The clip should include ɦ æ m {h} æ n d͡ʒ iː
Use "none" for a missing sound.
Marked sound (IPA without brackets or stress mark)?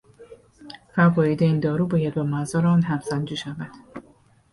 s